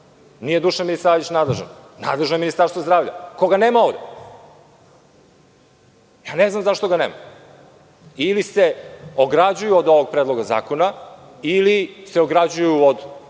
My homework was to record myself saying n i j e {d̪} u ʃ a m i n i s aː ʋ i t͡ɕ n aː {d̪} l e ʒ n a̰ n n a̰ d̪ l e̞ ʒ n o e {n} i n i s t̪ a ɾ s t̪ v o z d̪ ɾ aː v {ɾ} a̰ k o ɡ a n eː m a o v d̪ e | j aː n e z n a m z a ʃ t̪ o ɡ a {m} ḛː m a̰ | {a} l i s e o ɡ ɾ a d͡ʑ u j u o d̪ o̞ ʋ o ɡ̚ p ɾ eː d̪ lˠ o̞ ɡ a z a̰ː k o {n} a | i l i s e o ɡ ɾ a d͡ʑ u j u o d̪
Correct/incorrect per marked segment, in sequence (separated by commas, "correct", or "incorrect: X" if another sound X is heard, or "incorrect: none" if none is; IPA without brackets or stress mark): correct, correct, incorrect: m, incorrect: ʎ, incorrect: n, incorrect: i, correct